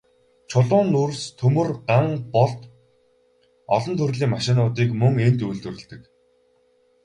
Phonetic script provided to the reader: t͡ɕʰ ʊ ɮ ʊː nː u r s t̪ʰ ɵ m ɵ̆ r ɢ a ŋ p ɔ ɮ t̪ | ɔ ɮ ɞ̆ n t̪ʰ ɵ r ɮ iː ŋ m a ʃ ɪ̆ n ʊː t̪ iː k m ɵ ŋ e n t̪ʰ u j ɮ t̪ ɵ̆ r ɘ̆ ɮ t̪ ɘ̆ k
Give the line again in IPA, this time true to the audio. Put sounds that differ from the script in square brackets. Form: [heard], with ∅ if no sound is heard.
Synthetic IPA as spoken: t͡ɕʰ ʊ ɮ ʊː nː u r s t̪ʰ ɵ m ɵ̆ r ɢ a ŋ p ɔ ɮ t̪ | ɔ ɮ ɞ̆ n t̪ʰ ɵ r ɮ iː ŋ m a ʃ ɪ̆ n ʊː t̪ iː k m ɵ ŋ e n [t̪] u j ɮ t̪ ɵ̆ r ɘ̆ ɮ t̪ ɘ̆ k